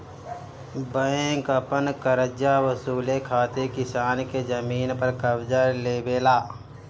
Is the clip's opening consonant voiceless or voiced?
voiced